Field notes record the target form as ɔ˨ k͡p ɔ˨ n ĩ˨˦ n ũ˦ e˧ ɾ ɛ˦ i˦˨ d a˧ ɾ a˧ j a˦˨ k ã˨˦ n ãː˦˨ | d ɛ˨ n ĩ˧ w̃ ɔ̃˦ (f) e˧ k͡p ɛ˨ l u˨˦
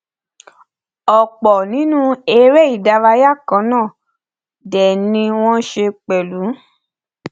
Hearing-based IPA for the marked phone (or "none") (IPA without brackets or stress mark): ʃ